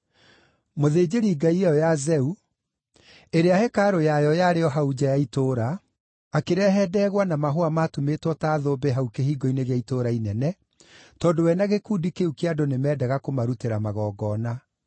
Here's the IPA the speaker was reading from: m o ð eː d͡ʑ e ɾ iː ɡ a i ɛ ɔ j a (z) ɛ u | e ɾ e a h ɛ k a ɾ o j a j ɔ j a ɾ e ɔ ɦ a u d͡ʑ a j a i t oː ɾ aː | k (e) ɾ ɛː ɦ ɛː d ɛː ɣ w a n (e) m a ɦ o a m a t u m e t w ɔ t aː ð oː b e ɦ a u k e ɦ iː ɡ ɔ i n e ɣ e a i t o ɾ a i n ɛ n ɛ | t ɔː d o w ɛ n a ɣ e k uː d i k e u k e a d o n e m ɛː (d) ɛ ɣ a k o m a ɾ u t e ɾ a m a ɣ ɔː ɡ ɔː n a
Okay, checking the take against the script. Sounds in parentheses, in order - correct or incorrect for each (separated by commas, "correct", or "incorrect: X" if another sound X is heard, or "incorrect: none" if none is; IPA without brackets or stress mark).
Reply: correct, correct, incorrect: a, correct